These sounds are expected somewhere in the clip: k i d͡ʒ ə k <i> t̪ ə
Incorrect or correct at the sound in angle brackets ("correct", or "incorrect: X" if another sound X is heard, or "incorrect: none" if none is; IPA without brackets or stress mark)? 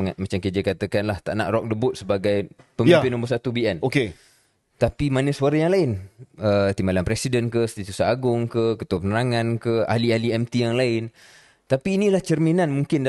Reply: incorrect: a